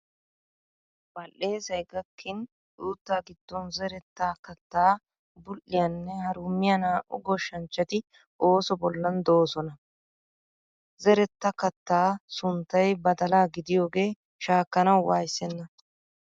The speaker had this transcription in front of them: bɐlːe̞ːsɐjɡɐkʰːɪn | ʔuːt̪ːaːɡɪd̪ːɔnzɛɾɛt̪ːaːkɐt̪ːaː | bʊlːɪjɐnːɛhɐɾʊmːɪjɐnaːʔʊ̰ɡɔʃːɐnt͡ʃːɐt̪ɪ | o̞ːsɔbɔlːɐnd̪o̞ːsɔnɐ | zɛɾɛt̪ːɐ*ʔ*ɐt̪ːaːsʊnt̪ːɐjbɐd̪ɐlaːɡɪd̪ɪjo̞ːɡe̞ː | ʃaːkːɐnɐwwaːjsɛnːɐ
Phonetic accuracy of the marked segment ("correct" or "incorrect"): incorrect